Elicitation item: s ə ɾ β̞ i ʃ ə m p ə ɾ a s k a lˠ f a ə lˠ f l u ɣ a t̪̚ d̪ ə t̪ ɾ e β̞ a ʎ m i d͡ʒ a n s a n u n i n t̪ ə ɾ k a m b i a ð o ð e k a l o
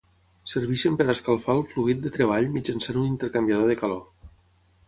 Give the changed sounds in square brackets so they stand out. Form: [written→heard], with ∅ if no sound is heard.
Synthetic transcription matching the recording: s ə ɾ β̞ i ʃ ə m p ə ɾ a s k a lˠ f a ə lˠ f l u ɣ [a→i] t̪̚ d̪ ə t̪ ɾ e β̞ a ʎ m i d͡ʒ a n s a n u n i n t̪ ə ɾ k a m b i a ð o ð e k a l o